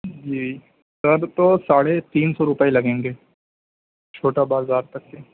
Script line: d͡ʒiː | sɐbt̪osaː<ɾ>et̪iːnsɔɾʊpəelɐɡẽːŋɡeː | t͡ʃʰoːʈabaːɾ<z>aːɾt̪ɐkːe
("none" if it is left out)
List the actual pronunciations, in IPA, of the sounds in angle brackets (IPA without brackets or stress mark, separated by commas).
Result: ɽ, z